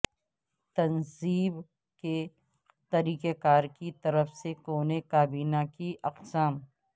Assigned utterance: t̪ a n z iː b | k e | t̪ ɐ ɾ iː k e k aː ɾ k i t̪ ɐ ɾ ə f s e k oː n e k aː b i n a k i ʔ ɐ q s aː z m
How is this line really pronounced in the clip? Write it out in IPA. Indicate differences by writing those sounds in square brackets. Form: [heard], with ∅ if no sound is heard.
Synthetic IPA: t̪ [ɐ] n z iː b | k e | t̪ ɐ ɾ iː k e k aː ɾ k i t̪ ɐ ɾ ə f s e k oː n e k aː b [iː] n a k i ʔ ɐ q s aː [∅] m